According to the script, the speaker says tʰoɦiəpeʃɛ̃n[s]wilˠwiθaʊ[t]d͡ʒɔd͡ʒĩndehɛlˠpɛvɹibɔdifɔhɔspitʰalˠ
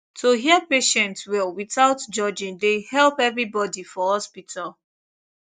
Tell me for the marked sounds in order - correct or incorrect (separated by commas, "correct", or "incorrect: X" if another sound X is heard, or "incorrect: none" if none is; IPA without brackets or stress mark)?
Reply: incorrect: t, correct